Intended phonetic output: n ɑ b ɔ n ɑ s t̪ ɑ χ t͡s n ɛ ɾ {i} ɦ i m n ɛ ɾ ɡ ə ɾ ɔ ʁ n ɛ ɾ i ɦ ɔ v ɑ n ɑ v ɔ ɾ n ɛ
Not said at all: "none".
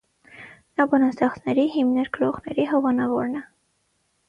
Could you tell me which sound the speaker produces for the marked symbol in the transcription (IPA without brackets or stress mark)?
i